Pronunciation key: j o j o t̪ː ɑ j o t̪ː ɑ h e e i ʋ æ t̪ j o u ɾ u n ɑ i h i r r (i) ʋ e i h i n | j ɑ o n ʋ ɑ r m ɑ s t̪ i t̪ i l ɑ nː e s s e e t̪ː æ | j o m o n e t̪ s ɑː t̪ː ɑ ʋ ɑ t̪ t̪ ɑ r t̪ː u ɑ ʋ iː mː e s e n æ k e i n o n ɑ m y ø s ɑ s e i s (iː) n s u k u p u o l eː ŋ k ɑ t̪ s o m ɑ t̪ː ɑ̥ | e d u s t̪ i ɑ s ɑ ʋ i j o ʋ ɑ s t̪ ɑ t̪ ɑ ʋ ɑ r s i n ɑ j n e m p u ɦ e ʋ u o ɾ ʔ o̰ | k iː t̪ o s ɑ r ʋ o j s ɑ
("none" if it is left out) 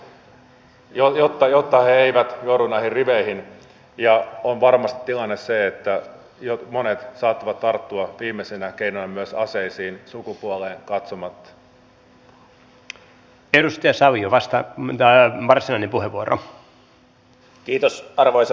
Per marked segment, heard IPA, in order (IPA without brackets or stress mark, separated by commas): i, iː